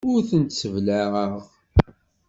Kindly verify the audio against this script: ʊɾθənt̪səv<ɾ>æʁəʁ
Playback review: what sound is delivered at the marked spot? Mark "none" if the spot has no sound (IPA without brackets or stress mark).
l